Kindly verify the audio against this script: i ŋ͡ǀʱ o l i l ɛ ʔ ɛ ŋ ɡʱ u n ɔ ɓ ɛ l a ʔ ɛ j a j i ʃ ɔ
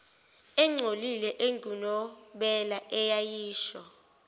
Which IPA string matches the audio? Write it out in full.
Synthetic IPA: ɛ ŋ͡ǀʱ o l i l ɛ ʔ e ŋ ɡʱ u n ɔ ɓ ɛ l a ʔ ɛ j a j iː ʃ ɔ

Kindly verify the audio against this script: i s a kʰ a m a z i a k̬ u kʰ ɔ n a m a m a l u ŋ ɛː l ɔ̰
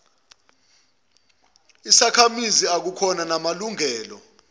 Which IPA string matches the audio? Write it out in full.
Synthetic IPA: i s a kʰ a m i z i a k̬ u kʰ ɔ n a n a m a l u ŋ ɛː l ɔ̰

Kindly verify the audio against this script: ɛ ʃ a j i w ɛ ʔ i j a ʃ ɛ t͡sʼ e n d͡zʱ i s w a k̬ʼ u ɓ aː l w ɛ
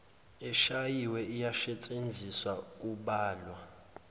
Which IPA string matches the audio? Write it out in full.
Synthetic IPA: ɛ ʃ a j i w ɛ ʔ i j a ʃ ɛ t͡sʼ e n d͡zʱ i s w a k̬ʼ u ɓ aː l w a

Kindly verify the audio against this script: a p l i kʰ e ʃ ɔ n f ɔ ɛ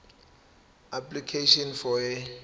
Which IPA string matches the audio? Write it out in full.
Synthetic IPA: a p l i kʰ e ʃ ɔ n f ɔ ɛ

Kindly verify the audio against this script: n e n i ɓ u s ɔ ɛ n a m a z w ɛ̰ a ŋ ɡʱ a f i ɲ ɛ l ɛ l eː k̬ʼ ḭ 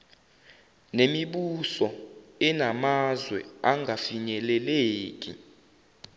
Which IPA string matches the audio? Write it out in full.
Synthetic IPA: n e m i ɓ u s ɔ ɛ n a m a z w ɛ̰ a ŋ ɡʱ a f i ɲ ɛ l ɛ l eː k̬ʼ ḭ

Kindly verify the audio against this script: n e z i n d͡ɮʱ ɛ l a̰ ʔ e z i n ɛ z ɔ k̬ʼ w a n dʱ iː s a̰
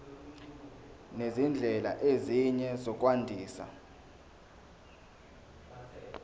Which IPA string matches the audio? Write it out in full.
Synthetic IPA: n e z i n d͡ɮʱ ɛ l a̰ ʔ e z i ɲ ɛ z ɔ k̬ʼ w a n dʱ iː s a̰

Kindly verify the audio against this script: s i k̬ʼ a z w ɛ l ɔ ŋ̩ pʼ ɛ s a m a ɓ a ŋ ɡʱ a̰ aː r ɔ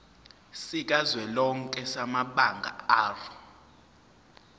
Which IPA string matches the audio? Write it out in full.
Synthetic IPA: s i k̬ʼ a z w ɛ l ɔ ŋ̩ kʼ ɛ s a m a ɓ a ŋ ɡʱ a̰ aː r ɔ

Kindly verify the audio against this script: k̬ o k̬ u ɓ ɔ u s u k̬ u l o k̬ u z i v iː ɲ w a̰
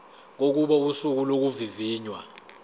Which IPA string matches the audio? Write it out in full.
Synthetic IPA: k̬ o k̬ u ɓ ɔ u s u k̬ u l o k̬ u v i v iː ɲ w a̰

